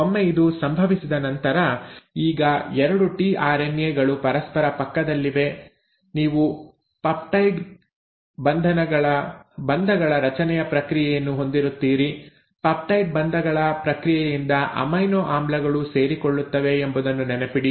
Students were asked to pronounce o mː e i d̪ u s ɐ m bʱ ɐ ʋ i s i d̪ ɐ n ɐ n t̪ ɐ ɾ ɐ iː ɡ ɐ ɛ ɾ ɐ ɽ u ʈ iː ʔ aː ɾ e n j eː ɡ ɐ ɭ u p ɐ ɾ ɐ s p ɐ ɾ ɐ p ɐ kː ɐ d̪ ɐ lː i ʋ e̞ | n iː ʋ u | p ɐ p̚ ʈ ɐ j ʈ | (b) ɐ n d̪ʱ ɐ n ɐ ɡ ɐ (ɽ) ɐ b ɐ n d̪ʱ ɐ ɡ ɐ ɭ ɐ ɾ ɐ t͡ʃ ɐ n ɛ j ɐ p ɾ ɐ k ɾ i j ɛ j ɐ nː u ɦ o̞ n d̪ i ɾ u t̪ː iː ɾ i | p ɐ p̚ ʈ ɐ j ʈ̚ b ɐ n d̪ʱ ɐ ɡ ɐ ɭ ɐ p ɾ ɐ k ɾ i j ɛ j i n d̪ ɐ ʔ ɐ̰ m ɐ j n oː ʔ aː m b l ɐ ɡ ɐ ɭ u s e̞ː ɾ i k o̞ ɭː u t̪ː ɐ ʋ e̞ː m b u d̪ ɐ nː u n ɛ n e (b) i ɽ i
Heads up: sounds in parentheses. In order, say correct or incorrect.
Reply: correct, incorrect: ɭ, incorrect: p

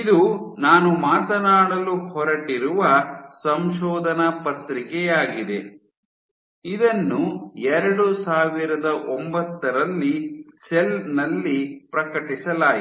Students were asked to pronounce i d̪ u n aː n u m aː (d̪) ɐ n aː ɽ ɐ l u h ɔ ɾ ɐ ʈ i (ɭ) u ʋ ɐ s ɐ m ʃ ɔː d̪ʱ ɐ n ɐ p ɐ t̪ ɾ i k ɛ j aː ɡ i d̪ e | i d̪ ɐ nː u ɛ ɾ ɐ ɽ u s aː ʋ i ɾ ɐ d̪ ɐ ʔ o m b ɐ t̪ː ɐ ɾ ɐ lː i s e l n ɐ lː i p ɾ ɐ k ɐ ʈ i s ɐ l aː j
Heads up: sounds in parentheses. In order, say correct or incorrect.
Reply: incorrect: t̪, incorrect: ɾ

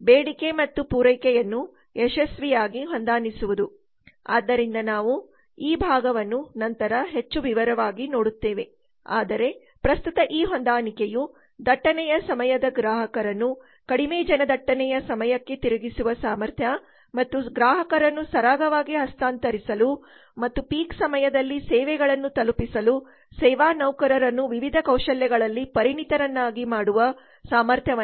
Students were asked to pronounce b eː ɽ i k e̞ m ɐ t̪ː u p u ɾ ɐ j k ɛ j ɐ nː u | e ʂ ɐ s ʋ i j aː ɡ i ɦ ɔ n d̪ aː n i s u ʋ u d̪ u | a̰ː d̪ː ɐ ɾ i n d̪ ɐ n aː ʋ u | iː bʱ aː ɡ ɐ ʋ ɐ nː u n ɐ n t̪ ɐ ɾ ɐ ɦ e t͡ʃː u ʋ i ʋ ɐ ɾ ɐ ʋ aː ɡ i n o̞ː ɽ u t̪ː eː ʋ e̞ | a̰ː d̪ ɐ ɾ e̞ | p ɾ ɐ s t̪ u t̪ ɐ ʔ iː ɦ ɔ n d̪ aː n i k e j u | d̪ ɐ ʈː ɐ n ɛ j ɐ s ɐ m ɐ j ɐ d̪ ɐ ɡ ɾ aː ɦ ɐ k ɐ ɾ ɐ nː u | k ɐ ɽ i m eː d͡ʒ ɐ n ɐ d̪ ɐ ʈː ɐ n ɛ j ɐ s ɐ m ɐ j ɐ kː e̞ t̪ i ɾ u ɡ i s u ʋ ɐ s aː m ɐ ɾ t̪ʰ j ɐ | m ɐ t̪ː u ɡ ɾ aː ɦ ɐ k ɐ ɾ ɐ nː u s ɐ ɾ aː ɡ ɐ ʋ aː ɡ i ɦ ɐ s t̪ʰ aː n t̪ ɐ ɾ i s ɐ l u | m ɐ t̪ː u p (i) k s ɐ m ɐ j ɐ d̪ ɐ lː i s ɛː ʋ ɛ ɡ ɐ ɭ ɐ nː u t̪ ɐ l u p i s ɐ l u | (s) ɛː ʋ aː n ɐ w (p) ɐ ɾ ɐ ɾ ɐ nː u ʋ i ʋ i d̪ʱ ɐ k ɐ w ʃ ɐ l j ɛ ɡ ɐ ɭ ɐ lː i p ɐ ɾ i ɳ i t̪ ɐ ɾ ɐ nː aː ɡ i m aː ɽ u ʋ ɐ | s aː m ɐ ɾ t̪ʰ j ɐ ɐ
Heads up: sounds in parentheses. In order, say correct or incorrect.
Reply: incorrect: iː, correct, incorrect: k

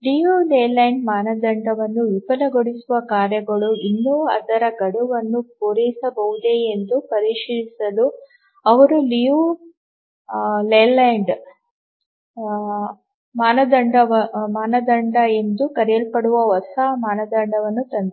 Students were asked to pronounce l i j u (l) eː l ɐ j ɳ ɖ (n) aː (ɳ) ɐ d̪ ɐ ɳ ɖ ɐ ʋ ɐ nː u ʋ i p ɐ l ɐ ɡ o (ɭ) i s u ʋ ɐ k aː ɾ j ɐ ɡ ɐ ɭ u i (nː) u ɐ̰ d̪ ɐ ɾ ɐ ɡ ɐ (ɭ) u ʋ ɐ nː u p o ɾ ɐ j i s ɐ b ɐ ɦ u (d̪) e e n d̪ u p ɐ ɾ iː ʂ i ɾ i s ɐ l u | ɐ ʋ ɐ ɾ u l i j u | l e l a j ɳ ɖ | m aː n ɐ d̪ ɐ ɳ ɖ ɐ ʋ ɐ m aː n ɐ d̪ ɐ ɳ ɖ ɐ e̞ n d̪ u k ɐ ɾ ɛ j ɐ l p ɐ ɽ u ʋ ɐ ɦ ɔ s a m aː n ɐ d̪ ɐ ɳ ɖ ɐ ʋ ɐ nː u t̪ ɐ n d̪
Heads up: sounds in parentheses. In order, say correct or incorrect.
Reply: correct, incorrect: m, incorrect: n, incorrect: ɽ, correct, incorrect: ɽ, correct

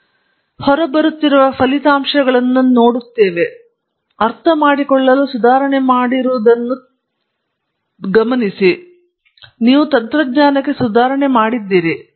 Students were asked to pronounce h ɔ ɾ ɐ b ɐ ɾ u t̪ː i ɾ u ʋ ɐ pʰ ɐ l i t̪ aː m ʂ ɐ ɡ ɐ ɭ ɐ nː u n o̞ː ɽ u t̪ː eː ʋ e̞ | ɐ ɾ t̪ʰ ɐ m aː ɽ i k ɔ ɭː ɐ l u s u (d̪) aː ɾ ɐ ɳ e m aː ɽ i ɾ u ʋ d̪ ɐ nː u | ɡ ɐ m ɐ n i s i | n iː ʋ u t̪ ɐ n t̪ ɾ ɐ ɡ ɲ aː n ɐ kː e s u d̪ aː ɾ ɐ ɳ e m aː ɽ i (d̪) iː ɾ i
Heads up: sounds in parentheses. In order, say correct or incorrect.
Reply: correct, incorrect: d̪ː

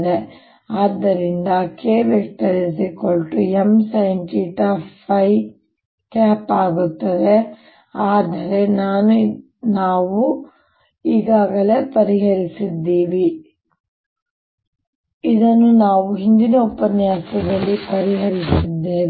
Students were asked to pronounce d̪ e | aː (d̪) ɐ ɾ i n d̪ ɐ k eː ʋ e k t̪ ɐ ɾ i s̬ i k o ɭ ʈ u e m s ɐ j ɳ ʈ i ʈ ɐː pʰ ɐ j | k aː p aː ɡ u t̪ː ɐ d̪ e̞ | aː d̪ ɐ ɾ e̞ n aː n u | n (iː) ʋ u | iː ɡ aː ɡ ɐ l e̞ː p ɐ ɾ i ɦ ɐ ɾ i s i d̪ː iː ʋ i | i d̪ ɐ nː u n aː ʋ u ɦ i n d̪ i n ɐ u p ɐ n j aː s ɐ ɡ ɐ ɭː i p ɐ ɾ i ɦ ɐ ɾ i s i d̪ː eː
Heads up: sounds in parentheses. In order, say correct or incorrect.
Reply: incorrect: d̪ː, incorrect: aː

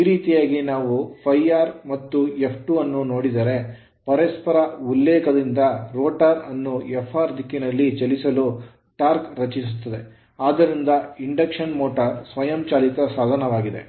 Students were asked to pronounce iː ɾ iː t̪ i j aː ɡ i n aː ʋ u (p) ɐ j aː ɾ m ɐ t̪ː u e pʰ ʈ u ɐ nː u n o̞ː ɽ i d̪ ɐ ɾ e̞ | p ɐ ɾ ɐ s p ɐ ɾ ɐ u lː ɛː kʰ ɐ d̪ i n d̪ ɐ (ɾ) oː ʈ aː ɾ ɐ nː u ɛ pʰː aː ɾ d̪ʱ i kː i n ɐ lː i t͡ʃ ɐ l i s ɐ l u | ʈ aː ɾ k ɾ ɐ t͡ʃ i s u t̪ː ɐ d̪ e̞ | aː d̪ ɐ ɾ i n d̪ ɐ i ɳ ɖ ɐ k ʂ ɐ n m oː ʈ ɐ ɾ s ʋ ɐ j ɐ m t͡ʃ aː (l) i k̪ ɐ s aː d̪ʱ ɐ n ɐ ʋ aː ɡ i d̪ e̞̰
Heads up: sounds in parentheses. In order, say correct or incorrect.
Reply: incorrect: pʰ, correct, correct

